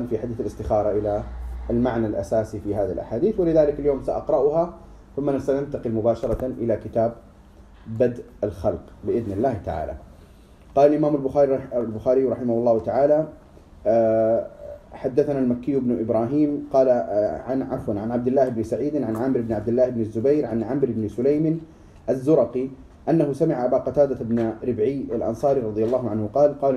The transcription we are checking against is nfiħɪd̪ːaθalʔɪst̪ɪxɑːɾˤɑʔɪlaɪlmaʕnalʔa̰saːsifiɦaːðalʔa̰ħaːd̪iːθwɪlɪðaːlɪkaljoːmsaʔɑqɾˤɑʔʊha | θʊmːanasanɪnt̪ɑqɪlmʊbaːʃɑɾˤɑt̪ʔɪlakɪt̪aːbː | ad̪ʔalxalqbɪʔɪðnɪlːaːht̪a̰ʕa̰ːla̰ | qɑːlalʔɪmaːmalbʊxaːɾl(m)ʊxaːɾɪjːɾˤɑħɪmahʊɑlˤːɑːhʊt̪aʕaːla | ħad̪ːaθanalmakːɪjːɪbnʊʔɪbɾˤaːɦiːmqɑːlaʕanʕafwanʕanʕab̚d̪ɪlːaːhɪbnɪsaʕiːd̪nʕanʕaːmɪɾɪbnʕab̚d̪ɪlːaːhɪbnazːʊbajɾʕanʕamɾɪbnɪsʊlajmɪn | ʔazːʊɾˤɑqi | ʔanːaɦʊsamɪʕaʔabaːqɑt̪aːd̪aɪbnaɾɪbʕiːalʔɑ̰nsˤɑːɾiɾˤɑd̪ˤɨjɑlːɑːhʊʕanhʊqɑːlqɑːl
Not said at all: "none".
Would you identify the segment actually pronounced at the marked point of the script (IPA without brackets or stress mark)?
b